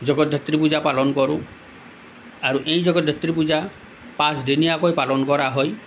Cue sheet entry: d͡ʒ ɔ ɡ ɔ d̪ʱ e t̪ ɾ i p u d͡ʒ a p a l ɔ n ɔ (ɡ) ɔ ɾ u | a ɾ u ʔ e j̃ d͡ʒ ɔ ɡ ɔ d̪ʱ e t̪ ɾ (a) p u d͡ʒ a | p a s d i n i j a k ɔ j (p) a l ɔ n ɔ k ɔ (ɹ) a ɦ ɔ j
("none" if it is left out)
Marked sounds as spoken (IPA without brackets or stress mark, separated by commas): k, i, p, ɾ